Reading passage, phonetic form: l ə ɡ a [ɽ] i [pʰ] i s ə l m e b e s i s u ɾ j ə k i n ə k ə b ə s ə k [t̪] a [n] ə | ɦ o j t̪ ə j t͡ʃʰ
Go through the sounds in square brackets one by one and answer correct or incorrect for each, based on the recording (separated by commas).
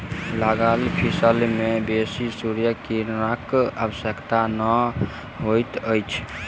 incorrect, correct, correct, correct